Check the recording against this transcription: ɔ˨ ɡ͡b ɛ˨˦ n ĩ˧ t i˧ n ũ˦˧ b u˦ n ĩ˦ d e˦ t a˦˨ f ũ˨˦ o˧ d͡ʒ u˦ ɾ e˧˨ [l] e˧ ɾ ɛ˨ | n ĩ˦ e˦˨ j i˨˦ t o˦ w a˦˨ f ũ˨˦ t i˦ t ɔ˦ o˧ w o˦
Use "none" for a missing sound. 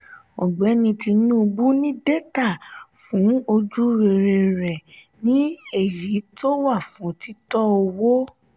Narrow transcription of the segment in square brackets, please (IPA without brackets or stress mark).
ɾ